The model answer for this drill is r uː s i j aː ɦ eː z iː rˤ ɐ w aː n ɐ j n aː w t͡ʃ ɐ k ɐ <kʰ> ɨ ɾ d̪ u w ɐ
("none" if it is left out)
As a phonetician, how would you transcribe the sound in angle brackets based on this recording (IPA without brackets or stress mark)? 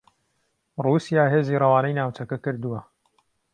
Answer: k